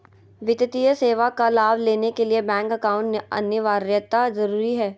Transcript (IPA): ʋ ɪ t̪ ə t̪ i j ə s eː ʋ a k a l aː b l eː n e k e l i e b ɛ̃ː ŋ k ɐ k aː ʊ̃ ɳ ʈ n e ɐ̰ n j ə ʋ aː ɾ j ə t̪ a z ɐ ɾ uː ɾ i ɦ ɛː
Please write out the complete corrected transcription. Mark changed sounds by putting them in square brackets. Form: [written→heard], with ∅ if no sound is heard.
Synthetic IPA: ʋ ɪ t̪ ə t̪ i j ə s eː ʋ a k a l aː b l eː n e k e l i e b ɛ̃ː ŋ k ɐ k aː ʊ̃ ɳ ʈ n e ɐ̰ n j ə ʋ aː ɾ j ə t̪ a z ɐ ɾ uː ɾ i ɦ ɛː